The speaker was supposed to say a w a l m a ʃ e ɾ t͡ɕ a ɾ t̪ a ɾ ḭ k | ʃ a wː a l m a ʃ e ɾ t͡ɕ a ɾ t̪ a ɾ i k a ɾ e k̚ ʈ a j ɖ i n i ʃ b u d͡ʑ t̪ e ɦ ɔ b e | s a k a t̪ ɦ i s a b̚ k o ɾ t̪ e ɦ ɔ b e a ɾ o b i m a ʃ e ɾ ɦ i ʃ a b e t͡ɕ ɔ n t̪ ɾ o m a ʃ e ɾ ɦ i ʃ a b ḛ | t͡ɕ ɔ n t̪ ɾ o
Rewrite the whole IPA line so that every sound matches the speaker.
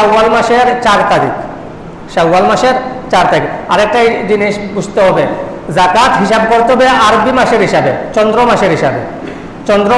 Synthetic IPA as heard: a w a l m a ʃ e ɾ t͡ɕ a ɾ t̪ a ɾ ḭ k | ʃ a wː a l m a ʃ e ɾ t͡ɕ a ɾ t̪ a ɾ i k a ɾ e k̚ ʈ a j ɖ i n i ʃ b u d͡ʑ t̪ e ɦ ɔ b e | z a k a t̪ ɦ i ʃ a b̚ k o ɾ t̪ e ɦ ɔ b e a ɾ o b i m a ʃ e ɾ ɦ i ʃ a b e t͡ɕ ɔ n d̪ ɾ o m a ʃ e ɾ ɦ i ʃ a b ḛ | t͡ɕ ɔ n d̪ ɾ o